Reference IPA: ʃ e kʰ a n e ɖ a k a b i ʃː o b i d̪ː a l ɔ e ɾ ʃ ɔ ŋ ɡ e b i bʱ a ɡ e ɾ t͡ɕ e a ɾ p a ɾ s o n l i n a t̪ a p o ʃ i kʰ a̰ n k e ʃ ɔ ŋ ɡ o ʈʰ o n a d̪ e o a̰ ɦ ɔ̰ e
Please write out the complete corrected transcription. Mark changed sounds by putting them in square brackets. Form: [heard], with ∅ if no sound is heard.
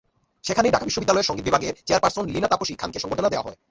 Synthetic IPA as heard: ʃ e kʰ a n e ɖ a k a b i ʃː o b i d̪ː a l ɔ e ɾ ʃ ɔ ŋ ɡ e b i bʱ a ɡ e ɾ t͡ɕ e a ɾ p a ɾ s o n l i n a t̪ a p o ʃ i kʰ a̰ n k e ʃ ɔ ŋ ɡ o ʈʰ o n a d̪ e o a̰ ɦ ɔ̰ e

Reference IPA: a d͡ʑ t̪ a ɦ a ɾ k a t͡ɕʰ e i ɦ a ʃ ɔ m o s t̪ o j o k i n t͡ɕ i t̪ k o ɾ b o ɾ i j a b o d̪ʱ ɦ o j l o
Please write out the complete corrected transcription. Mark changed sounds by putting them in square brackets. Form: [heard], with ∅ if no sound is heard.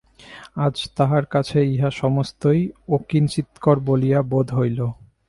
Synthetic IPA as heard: a d͡ʑ t̪ a ɦ a ɾ k a t͡ɕʰ e i ɦ a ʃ ɔ m o s t̪ o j o k i n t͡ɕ i t̪ k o ɾ b o [l] i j a b o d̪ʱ ɦ o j l o

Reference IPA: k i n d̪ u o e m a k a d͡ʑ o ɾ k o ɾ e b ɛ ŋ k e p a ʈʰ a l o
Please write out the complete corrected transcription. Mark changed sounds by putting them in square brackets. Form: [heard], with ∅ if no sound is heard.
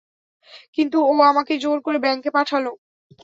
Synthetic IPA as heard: k i n [t̪] u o [a] m a k [e] d͡ʑ o ɾ k o ɾ e b ɛ ŋ k e p a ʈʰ a l o

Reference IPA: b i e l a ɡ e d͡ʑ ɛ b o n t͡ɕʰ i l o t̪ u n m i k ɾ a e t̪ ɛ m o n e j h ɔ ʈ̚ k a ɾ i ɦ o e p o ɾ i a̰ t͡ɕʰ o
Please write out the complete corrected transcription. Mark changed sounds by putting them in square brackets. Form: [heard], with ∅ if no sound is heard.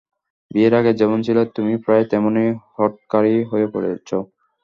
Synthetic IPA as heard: b i e [ɾ] a ɡ e d͡ʑ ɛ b o n t͡ɕʰ i l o t̪ u [∅] m i [p] ɾ a e t̪ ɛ m o n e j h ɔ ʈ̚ k a ɾ i ɦ o e p o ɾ [e] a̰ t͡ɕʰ o

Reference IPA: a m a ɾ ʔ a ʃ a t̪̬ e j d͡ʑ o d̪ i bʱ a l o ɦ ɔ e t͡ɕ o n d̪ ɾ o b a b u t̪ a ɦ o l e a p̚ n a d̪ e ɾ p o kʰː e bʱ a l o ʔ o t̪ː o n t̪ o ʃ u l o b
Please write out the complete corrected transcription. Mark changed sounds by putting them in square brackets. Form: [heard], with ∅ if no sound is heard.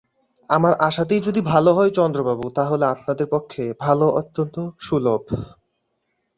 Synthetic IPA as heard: a m a ɾ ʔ a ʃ a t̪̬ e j d͡ʑ o d̪ i bʱ a l o ɦ ɔ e t͡ɕ [ɔ] n d̪ ɾ o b a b u t̪ a ɦ o l e a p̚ n a d̪ e ɾ p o kʰː e bʱ a l o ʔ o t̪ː o n t̪ o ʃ u l o b

